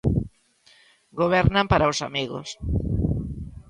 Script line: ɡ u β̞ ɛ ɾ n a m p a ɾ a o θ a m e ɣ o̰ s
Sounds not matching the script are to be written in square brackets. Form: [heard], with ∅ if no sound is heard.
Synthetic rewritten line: ɡ [o] β̞ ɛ ɾ n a m p a ɾ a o [s] a m [i] ɣ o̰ s